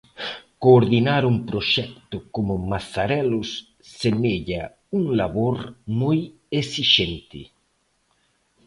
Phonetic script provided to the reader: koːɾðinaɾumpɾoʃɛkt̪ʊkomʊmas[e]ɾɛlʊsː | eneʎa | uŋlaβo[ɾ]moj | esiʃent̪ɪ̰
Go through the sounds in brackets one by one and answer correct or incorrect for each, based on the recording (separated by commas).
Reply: incorrect, correct